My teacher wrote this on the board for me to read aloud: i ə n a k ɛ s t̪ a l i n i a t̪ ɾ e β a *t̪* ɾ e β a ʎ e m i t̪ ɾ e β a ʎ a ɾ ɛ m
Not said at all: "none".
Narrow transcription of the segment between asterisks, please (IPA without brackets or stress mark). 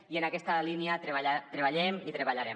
t̪